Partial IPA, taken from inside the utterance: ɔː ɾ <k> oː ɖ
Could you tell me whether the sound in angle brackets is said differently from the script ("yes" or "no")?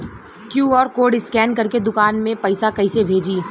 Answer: no